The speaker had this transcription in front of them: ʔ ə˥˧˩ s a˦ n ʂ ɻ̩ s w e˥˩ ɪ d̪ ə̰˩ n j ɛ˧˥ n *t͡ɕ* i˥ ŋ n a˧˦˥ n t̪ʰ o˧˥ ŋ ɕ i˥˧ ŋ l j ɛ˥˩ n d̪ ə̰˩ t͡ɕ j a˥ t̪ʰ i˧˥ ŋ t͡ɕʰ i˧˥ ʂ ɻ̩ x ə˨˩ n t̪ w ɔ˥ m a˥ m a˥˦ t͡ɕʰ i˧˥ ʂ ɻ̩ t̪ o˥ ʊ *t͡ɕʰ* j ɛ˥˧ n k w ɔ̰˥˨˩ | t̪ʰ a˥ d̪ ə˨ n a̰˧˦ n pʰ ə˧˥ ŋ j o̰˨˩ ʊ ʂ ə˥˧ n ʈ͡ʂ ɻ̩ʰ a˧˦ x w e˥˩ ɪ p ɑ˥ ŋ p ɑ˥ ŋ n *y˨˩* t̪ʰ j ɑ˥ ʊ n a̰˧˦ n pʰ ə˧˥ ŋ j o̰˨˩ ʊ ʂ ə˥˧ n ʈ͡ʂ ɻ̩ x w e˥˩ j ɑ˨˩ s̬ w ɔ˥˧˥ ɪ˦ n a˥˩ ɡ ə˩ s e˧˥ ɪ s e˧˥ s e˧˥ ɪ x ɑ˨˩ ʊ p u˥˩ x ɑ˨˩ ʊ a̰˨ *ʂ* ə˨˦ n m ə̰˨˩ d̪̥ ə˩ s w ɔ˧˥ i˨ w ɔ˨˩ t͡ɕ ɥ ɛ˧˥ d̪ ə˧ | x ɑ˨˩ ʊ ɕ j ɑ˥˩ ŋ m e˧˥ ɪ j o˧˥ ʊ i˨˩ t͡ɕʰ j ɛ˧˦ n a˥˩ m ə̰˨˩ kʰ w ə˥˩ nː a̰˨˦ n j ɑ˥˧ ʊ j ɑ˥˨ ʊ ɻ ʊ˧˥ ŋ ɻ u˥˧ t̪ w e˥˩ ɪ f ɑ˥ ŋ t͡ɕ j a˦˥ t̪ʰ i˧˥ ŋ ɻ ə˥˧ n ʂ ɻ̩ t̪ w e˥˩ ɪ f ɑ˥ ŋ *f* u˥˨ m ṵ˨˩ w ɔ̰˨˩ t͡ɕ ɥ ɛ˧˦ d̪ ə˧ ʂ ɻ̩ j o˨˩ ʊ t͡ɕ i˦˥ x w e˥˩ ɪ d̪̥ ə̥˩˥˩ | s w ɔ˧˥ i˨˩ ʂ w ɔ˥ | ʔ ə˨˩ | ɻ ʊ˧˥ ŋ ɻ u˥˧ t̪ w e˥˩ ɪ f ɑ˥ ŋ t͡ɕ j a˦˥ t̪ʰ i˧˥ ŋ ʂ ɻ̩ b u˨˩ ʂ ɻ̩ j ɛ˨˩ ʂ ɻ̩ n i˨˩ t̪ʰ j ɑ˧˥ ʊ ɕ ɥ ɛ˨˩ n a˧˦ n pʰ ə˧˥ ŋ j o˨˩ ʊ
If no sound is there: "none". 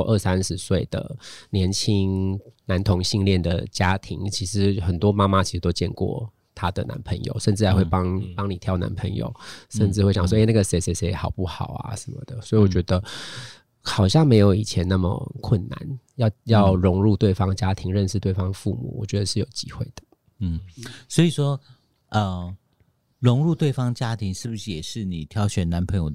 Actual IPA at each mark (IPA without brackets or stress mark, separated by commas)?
t͡ɕʰ, t͡ɕ, i˨˩, ʂ, f